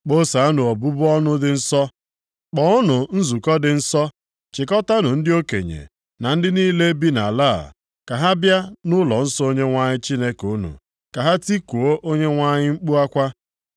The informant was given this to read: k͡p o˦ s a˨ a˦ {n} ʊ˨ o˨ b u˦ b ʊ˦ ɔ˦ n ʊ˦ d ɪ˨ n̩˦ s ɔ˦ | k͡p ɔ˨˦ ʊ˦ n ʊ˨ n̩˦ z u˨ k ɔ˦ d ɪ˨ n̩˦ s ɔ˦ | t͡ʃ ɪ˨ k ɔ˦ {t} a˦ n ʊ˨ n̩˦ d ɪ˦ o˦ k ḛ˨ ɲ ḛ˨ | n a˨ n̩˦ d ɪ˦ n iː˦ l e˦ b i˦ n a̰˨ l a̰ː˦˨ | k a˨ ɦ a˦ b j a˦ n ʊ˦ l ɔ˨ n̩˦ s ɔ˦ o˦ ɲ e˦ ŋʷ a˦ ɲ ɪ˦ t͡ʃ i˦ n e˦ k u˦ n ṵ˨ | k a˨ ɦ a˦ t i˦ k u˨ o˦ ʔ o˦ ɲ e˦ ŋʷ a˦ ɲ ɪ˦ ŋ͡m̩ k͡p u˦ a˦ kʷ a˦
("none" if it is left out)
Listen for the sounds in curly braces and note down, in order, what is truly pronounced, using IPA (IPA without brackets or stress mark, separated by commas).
n, t